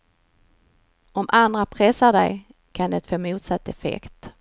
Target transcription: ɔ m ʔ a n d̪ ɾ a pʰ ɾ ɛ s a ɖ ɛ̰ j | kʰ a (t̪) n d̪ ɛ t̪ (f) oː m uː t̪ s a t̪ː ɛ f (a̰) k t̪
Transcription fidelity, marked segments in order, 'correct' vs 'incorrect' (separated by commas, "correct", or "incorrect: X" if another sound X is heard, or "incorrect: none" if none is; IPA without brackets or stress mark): incorrect: none, correct, incorrect: ɛ̰